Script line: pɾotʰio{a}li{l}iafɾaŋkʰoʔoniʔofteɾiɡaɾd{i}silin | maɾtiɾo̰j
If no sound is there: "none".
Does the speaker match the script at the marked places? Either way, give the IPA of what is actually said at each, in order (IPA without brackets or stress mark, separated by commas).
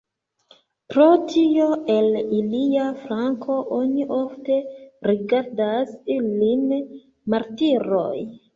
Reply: e, l, a